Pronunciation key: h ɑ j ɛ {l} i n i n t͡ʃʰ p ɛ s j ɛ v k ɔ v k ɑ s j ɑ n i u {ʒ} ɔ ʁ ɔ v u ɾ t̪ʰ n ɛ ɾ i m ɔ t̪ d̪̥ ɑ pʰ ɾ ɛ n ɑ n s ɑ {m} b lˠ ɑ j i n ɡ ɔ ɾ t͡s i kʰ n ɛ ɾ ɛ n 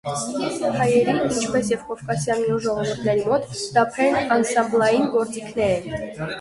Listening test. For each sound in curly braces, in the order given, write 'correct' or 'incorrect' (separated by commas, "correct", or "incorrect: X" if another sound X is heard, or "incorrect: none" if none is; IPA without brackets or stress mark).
incorrect: ɾ, correct, correct